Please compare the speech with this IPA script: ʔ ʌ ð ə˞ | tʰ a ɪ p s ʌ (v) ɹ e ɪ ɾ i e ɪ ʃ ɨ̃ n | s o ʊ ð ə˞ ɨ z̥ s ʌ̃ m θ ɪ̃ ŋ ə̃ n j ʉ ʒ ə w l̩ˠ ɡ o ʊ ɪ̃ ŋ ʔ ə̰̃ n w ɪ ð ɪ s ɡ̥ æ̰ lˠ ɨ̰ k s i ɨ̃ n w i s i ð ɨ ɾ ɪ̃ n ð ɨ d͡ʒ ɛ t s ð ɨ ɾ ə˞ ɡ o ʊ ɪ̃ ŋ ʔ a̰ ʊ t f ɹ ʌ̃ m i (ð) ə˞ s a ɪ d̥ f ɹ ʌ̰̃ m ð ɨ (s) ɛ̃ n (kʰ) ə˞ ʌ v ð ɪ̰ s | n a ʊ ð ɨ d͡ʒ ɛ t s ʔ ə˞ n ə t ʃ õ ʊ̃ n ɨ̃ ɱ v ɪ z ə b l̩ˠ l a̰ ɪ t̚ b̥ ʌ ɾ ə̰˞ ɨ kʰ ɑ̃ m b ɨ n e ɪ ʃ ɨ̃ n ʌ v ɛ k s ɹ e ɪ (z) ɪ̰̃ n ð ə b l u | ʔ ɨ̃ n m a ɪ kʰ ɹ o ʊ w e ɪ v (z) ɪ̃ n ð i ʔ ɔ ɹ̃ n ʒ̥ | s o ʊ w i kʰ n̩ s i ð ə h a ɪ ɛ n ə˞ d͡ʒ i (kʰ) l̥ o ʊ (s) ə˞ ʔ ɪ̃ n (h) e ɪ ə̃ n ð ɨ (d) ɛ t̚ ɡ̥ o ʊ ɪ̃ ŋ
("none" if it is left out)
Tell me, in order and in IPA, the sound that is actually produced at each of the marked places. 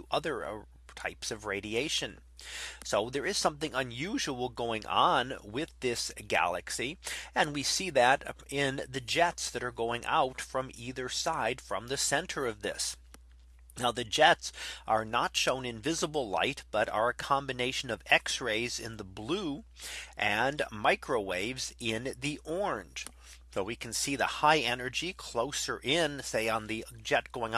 v, ð, s, tʰ, z, z, kʰ, s, s, d͡ʒ

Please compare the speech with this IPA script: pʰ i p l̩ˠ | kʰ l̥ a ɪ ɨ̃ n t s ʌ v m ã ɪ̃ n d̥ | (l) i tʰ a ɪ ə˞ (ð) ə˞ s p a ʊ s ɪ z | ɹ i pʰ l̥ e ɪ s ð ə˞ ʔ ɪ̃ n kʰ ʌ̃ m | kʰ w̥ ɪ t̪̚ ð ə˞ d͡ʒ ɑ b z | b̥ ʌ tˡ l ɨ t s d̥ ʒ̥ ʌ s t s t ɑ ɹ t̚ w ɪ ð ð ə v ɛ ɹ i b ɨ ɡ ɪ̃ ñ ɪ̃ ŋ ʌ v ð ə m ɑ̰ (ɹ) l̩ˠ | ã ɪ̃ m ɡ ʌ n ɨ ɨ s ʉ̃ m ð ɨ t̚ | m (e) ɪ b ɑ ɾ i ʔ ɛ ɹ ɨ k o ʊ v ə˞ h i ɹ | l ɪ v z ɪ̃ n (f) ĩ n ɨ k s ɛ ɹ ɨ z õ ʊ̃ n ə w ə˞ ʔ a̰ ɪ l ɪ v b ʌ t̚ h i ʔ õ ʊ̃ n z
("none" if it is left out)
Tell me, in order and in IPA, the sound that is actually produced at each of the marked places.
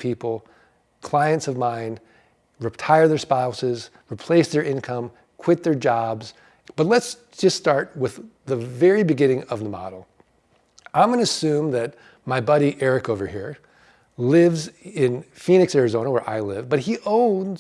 ɹ, ð, ɾ, a, f

